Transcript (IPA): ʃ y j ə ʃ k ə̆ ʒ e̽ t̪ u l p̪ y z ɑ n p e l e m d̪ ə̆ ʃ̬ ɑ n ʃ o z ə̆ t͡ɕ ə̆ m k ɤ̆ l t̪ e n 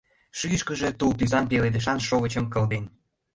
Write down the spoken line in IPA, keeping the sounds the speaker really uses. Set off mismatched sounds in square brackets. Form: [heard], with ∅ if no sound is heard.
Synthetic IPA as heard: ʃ y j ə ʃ k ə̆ ʒ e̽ t̪ u l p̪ y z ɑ n p e l e [∅] d̪ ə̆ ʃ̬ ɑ n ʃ o [ɣ] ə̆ t͡ɕ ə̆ m k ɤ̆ l [d̪] e n